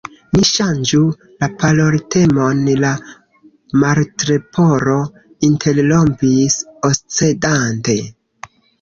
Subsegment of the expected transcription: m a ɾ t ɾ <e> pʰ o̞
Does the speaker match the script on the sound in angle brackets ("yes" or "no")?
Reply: yes